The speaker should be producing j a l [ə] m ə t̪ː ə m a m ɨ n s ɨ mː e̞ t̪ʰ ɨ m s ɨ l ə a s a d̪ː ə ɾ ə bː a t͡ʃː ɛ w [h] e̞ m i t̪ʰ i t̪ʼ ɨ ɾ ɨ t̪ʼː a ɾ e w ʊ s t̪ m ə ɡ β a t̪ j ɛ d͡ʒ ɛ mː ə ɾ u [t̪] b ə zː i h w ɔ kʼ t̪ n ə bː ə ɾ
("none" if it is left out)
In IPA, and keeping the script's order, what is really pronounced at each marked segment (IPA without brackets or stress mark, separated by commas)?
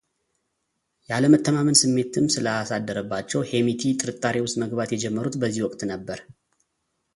ə, h, t̪